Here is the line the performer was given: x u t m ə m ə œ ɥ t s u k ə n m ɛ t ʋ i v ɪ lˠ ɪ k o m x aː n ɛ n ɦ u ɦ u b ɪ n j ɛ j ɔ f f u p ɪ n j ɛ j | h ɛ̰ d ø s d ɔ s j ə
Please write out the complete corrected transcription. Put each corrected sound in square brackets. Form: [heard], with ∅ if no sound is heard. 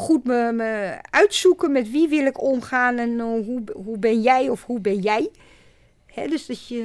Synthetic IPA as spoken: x u t m ə m ə œ ɥ t s u k ə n m ɛ t ʋ i [ʋ] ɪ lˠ ɪ k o m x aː n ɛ n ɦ u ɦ u b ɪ n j ɛ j ɔ f [h] u [b] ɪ n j ɛ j | h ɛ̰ d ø s d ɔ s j ə